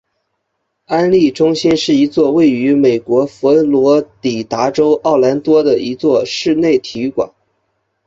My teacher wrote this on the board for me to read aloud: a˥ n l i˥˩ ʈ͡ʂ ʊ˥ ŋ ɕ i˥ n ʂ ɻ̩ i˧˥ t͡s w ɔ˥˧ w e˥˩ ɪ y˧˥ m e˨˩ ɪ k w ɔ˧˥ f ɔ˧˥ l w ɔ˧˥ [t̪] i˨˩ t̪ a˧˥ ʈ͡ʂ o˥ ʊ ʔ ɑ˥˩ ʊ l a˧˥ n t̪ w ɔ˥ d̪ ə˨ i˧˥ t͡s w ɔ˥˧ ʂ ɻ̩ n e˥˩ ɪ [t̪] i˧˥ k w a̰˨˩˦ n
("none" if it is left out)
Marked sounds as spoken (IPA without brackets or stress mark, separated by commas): t̪, t̪ʰ